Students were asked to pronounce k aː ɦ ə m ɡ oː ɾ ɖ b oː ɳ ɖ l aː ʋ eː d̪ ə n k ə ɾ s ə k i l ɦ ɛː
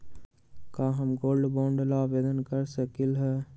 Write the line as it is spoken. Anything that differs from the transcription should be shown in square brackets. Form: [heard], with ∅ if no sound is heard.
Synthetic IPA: k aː ɦ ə m ɡ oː [l] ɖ b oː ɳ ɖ l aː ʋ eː d̪ ə n k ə ɾ s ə k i l ɦ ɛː